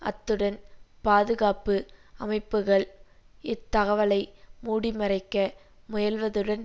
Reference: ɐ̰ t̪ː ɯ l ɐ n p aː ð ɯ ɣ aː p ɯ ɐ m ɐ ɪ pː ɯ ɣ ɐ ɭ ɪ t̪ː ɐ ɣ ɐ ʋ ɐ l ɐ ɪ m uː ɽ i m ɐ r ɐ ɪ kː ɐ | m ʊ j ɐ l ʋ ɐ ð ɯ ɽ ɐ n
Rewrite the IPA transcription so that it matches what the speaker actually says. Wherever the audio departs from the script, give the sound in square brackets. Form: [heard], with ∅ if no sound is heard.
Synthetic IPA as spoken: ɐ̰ t̪ː ɯ [ɽ] ɐ n p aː ð ɯ ɣ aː p ɯ ɐ m ɐ ɪ pː ɯ ɣ ɐ ɭ ɪ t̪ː ɐ ɣ ɐ ʋ ɐ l ɐ ɪ m uː ɽ i m ɐ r ɐ ɪ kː ɐ | m ʊ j ɐ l ʋ ɐ ð ɯ ɽ ɐ n